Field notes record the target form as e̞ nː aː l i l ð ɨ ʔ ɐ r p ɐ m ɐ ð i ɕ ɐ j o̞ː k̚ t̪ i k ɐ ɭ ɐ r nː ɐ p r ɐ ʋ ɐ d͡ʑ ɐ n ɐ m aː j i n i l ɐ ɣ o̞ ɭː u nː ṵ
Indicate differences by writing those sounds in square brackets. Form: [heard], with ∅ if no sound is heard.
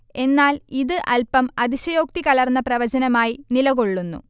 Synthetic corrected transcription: e̞ nː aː l i [∅] ð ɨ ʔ ɐ [l] p ɐ m ɐ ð i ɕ ɐ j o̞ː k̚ t̪ i k ɐ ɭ ɐ r nː ɐ p r ɐ ʋ ɐ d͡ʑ ɐ n ɐ m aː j i n i l ɐ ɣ o̞ ɭː u nː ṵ